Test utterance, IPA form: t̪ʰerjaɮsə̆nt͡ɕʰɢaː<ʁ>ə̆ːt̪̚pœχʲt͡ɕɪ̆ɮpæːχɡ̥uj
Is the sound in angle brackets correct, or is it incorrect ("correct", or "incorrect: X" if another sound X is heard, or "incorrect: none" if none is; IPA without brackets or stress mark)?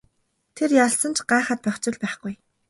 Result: incorrect: χ